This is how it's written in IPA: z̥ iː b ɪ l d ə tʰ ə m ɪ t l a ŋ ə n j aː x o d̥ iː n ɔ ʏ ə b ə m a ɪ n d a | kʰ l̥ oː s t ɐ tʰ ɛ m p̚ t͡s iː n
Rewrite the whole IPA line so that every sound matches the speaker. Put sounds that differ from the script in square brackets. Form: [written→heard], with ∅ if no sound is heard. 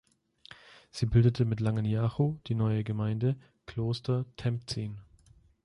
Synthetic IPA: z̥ iː b ɪ l d ə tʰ ə m ɪ t l a ŋ ə n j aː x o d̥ iː n ɔ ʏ ə [b→ɡ] ə m a ɪ n d [a→ə] | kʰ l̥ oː s t ɐ tʰ ɛ m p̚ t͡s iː n

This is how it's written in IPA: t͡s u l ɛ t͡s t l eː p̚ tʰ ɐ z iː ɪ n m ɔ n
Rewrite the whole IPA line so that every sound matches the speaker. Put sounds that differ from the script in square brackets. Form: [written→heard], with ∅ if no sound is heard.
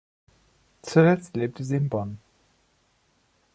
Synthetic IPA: t͡s u l ɛ t͡s t l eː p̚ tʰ [ɐ→ə] z iː ɪ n [m→b] ɔ n

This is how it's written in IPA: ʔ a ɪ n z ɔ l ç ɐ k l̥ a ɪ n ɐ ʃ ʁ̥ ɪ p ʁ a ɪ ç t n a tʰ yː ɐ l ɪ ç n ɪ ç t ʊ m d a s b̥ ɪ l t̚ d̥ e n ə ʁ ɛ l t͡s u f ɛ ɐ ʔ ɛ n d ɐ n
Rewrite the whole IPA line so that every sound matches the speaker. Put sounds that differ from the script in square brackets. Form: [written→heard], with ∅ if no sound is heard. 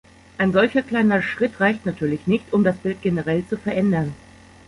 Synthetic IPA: ʔ a ɪ n z ɔ l ç ɐ k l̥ a ɪ n ɐ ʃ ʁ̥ ɪ [p→t] ʁ a ɪ ç t n a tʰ yː ɐ l ɪ ç n ɪ ç t ʊ m d a s b̥ ɪ l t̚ [d̥→ɡ̥] e n ə ʁ ɛ l t͡s u f ɛ ɐ ʔ ɛ n d ɐ n

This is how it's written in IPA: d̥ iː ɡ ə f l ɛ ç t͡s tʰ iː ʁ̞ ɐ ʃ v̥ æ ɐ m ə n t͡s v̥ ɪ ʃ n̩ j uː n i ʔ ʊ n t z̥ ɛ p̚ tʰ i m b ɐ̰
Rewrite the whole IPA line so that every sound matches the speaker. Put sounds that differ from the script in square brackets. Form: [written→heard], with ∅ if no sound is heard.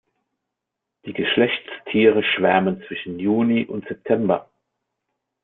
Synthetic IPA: d̥ iː ɡ ə [f→ʃ] l ɛ ç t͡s tʰ iː ʁ̞ [ɐ→ə] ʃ v̥ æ ɐ m ə n t͡s v̥ ɪ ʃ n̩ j uː n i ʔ ʊ n t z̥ ɛ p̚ tʰ [i→ɛ] m b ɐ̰

